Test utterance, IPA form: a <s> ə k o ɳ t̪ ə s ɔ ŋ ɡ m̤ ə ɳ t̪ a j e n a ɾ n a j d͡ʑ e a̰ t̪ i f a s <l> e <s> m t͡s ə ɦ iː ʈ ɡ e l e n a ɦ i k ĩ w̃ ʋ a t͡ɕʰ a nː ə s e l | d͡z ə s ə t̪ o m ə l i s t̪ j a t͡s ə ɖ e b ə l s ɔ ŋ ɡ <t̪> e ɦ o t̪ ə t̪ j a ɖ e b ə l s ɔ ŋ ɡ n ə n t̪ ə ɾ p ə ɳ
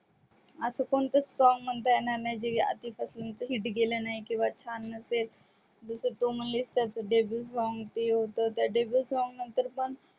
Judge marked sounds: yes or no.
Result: yes, yes, no, yes

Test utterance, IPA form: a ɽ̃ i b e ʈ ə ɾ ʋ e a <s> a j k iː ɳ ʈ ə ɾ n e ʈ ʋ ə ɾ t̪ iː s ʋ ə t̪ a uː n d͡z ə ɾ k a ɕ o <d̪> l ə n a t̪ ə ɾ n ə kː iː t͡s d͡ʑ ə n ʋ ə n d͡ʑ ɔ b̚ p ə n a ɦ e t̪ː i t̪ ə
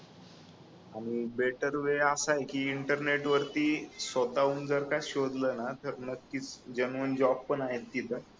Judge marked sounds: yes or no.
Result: yes, yes

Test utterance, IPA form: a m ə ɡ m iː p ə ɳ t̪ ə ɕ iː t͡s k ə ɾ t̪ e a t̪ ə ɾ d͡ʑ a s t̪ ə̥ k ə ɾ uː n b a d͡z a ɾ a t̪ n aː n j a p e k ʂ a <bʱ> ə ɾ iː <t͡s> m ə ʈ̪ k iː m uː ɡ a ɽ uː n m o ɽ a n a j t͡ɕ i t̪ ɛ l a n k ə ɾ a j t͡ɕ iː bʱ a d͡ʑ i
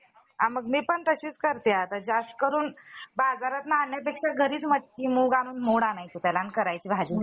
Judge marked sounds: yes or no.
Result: no, yes

